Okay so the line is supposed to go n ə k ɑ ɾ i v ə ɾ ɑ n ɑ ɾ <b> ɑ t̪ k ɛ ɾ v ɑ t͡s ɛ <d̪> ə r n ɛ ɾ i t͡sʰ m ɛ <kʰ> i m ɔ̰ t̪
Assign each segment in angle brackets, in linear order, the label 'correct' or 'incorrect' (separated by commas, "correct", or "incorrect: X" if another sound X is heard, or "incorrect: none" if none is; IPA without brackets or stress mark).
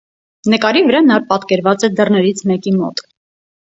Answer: incorrect: p, correct, incorrect: k